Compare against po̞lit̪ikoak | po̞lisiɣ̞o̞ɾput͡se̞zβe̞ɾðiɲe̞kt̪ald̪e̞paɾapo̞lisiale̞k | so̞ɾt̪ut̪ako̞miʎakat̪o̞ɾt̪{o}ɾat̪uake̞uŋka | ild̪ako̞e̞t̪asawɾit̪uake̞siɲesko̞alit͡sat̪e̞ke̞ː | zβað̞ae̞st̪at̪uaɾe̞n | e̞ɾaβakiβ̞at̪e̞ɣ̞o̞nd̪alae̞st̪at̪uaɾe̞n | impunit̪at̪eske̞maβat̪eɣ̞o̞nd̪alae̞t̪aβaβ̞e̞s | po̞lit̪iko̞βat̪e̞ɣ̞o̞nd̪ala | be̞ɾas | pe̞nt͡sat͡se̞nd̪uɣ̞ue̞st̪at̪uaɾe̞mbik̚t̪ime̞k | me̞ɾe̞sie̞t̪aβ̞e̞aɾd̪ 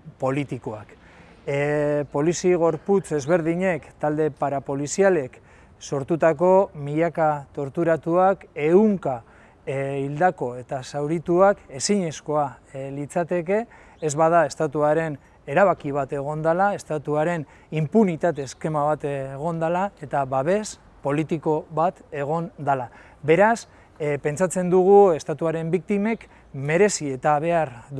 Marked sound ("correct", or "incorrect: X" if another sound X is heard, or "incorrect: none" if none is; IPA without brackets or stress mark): incorrect: u